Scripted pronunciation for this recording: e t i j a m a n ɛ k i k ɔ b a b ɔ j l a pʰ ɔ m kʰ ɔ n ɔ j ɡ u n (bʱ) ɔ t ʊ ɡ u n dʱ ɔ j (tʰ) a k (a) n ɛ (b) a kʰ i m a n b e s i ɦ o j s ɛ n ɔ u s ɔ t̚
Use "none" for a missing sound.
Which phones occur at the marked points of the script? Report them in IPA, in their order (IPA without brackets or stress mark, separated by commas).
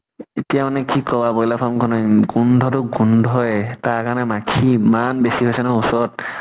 dʱ, t, a, m